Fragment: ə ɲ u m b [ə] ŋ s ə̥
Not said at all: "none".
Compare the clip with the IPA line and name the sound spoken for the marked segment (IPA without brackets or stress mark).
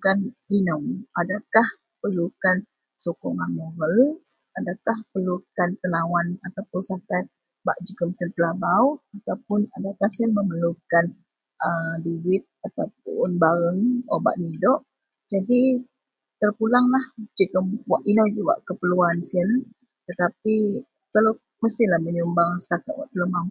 a